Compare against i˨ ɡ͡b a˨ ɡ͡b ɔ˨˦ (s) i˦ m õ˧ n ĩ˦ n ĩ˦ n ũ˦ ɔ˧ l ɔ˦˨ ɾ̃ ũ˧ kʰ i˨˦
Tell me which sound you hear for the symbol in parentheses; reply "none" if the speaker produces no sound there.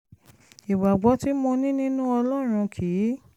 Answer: t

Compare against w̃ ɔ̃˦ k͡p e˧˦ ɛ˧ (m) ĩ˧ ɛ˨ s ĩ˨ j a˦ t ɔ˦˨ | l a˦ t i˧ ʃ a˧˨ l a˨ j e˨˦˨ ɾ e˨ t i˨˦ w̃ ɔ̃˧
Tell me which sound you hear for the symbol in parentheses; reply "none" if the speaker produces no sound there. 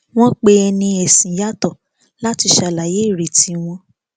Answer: n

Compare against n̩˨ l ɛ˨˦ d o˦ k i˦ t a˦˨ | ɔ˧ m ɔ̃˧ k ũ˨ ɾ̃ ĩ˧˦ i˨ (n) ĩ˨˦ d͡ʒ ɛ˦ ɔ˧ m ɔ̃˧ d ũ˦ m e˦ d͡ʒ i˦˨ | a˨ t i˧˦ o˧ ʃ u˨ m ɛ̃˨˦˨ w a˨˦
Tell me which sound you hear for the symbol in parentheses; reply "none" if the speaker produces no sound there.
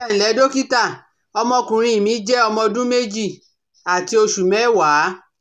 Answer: m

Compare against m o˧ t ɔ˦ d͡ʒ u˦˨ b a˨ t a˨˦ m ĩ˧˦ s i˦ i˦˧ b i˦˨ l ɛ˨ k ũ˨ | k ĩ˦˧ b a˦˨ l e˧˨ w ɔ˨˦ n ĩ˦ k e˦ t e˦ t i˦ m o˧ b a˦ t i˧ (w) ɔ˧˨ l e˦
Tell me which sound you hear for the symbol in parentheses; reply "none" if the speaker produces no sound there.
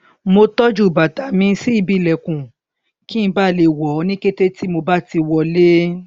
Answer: w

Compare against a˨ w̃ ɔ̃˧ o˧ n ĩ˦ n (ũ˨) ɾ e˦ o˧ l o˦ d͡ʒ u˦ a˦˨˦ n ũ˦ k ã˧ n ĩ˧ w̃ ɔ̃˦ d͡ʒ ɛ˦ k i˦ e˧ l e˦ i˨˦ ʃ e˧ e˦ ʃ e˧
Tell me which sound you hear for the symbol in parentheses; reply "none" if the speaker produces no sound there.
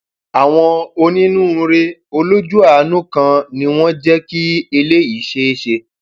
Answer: ũ˦˨˧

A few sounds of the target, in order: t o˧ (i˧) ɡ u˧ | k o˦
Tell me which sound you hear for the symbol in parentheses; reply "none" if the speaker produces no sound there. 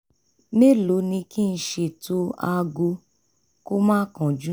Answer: a˧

